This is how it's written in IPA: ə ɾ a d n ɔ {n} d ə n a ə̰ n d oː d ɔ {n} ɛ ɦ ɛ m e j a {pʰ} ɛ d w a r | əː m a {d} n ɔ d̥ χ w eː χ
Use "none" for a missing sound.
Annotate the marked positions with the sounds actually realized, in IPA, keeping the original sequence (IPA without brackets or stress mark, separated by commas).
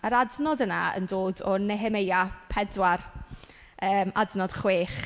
none, n, pʰ, d